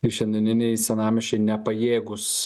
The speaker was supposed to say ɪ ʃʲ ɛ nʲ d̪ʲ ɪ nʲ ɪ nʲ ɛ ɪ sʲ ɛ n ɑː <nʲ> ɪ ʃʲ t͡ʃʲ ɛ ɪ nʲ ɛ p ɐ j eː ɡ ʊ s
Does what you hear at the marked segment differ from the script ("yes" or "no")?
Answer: yes